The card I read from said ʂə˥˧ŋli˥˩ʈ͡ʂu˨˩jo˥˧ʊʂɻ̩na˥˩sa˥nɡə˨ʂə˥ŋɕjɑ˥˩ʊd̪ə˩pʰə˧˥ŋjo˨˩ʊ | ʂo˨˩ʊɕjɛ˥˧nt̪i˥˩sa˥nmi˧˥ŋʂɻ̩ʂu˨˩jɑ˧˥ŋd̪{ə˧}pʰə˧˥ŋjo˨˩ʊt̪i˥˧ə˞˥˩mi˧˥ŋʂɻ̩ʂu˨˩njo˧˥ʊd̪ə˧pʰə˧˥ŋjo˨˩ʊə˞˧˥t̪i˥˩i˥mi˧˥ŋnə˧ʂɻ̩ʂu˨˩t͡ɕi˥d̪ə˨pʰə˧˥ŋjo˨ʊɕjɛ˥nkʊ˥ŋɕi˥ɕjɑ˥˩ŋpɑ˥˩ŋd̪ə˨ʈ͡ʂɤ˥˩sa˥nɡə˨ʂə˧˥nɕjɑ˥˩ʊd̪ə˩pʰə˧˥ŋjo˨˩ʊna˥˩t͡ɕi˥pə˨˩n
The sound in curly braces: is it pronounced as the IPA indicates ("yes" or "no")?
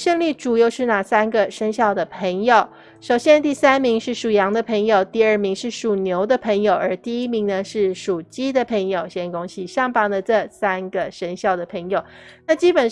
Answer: yes